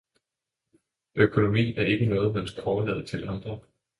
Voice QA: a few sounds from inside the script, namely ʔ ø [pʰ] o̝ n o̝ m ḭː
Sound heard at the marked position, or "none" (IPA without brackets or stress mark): kʰ